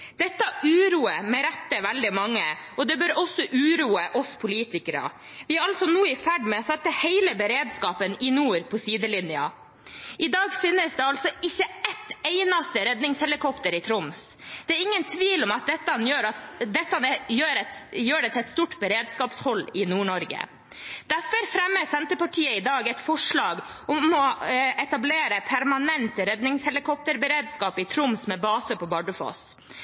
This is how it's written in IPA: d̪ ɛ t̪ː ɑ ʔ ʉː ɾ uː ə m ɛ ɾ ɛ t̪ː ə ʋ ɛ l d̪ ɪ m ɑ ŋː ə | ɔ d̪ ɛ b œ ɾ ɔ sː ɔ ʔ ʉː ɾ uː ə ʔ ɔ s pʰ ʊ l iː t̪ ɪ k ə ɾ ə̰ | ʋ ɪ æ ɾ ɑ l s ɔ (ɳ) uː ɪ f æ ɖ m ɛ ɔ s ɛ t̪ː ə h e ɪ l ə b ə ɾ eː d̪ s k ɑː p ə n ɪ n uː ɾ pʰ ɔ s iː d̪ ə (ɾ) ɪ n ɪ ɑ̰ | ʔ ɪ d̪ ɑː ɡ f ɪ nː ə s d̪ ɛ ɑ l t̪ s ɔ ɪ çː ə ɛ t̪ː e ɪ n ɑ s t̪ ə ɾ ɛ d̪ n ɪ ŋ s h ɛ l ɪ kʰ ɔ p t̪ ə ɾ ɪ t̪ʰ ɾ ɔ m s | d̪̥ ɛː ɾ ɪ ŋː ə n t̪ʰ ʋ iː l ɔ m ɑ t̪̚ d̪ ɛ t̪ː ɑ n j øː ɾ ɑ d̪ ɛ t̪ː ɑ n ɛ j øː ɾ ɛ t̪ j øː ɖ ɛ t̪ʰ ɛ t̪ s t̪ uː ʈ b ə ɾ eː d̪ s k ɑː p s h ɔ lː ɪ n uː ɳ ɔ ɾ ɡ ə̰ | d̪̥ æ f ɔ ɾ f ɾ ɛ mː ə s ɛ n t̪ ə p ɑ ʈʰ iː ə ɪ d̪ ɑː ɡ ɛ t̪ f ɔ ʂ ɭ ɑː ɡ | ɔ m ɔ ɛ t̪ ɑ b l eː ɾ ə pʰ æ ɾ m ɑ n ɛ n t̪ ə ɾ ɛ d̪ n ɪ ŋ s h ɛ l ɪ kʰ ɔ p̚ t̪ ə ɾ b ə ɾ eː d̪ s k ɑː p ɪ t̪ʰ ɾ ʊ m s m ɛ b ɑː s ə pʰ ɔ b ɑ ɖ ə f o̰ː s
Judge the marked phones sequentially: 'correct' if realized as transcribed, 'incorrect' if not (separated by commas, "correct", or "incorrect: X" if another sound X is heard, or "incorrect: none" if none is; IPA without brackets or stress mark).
incorrect: n, incorrect: l